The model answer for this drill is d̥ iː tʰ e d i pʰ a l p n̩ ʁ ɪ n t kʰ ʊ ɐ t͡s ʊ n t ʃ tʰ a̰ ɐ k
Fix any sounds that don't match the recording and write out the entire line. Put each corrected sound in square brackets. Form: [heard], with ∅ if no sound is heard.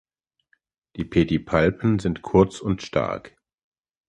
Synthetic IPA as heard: d̥ iː [pʰ] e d i pʰ a l p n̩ [z] ɪ n t kʰ ʊ ɐ t͡s ʊ n t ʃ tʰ a̰ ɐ k